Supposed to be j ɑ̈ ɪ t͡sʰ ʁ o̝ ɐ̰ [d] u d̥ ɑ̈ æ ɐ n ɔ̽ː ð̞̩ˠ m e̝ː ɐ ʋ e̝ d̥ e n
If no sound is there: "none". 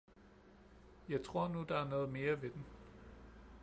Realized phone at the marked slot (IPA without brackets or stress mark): n